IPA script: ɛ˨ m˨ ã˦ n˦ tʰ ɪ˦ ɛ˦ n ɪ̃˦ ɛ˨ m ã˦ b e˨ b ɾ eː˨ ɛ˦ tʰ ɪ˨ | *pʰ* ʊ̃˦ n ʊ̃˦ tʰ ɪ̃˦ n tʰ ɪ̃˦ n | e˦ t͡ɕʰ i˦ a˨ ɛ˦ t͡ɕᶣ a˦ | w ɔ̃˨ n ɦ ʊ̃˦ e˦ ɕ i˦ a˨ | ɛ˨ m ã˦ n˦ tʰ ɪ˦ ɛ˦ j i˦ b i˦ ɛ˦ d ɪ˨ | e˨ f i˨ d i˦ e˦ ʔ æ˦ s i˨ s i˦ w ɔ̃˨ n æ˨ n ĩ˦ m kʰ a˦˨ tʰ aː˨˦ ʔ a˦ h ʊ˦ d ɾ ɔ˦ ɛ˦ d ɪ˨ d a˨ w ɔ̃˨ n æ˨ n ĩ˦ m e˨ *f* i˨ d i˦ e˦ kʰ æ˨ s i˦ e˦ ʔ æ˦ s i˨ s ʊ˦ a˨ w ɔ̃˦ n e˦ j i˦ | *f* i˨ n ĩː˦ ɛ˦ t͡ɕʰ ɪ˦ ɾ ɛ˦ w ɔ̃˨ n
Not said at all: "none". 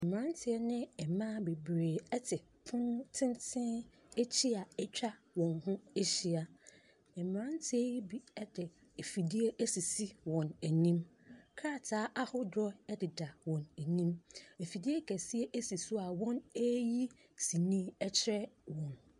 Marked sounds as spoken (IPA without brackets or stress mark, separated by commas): pʰ, f, s